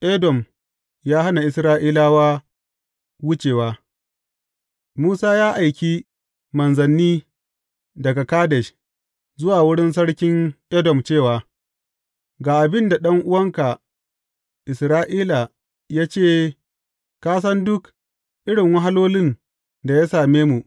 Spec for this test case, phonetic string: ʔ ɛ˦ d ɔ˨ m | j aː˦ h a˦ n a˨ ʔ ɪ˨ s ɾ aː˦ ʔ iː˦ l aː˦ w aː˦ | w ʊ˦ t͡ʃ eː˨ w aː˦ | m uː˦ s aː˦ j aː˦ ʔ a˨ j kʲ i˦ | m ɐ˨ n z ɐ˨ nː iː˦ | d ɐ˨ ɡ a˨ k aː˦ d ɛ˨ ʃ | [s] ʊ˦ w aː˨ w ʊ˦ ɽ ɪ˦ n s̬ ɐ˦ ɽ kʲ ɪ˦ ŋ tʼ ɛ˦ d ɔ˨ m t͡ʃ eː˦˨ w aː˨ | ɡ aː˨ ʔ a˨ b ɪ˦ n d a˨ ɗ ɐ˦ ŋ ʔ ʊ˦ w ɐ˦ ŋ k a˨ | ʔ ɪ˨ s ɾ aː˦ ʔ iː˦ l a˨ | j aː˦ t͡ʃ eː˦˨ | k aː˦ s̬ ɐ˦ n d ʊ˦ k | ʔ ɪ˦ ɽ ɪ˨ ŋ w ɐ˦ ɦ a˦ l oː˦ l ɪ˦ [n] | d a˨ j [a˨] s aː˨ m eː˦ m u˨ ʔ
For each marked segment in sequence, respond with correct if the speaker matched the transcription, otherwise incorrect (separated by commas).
incorrect, correct, incorrect